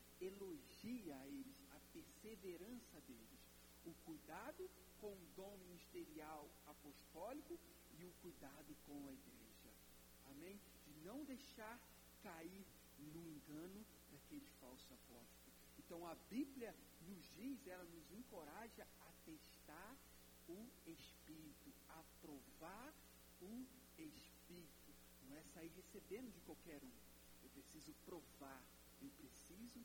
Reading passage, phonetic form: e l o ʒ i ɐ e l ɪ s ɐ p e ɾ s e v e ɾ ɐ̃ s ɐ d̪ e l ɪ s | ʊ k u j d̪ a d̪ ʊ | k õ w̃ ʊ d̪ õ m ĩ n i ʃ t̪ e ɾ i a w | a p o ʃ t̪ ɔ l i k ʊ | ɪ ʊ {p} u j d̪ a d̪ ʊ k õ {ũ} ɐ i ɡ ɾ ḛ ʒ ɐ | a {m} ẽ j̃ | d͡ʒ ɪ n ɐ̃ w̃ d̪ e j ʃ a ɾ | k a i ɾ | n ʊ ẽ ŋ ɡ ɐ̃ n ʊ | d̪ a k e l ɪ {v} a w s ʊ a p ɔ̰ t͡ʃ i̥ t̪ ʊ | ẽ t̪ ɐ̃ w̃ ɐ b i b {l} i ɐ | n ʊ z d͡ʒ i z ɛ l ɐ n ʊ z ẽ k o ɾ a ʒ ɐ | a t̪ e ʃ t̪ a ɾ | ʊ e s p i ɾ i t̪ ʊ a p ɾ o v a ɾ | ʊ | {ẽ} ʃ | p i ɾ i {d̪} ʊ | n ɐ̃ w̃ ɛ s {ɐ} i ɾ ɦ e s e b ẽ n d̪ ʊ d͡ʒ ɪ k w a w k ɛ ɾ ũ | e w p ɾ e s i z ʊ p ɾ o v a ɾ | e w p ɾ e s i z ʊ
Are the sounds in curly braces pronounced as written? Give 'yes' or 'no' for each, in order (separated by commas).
no, no, yes, no, yes, no, no, no